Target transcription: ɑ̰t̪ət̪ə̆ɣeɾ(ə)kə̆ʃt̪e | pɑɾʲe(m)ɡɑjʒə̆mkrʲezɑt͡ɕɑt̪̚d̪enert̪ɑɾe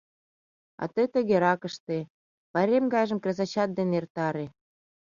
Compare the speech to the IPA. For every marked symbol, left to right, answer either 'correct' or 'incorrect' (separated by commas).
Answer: incorrect, correct